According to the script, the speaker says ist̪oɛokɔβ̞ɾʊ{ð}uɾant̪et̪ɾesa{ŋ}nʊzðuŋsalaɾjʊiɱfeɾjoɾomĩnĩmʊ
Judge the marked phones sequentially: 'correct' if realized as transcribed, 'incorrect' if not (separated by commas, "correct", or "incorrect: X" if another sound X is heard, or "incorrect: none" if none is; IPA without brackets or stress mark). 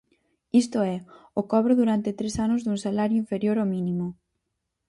correct, incorrect: none